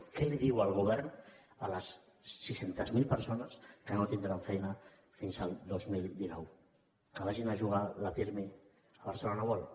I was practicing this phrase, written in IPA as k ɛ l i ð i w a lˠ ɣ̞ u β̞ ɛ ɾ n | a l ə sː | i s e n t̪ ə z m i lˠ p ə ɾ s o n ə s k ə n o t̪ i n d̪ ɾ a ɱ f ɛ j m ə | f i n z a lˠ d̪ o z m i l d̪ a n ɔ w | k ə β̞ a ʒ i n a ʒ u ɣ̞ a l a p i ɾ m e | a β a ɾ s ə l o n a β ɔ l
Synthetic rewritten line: k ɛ l i ð i w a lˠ ɣ̞ u β̞ ɛ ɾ n | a l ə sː | i s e n t̪ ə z m i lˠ p ə ɾ s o n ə s k ə n o t̪ i n d̪ ɾ a ɱ f ɛ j n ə | f i n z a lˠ d̪ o z m i l d̪ i n ɔ w | k ə β̞ a ʒ i n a ʒ u ɣ̞ a l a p i ɾ m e | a β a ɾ s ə l o n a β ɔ l